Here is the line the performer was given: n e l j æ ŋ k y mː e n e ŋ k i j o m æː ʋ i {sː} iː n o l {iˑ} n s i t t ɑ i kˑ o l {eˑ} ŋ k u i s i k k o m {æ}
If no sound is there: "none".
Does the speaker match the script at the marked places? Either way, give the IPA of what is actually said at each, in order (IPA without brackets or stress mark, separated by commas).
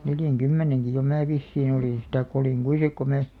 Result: sː, iˑ, iˑ, æː